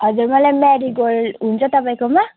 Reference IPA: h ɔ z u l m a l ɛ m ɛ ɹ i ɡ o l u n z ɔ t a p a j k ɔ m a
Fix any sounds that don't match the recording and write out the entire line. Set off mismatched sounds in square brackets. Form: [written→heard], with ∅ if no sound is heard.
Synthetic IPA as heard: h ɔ z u [l→ɹ] m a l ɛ m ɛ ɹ i ɡ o l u n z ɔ t a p a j k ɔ m a